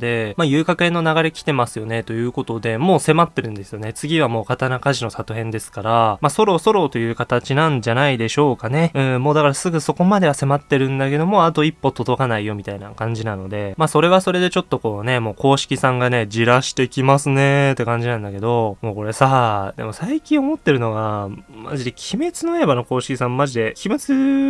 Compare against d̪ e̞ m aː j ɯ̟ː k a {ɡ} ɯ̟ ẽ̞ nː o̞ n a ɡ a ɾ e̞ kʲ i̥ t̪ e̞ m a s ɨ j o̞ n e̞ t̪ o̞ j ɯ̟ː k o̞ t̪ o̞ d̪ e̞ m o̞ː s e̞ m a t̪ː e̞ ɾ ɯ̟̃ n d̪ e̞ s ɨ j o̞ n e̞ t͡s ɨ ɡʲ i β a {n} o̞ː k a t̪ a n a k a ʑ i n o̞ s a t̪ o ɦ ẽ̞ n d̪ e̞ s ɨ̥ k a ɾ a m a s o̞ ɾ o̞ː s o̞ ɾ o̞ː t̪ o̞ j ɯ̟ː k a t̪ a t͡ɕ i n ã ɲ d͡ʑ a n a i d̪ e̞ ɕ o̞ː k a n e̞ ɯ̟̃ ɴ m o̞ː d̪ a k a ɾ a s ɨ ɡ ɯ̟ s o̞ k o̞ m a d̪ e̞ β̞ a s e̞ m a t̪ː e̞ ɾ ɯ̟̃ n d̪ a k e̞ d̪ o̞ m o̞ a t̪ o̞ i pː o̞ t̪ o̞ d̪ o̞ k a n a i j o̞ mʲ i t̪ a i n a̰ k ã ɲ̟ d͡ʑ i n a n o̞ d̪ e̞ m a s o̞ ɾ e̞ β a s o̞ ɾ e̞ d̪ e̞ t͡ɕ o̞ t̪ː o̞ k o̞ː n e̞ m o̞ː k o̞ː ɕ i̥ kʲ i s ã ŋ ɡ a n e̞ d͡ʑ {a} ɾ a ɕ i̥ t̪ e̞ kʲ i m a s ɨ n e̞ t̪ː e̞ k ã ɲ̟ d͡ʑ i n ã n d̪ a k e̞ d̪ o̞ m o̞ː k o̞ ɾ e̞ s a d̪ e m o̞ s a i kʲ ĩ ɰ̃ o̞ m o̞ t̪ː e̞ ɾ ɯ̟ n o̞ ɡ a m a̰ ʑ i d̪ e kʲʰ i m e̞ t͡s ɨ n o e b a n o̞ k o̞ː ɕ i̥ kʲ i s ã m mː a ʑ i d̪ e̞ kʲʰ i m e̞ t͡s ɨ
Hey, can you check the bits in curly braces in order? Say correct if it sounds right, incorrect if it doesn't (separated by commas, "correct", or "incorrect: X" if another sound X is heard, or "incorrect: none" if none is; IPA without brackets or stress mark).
incorrect: k, incorrect: m, incorrect: i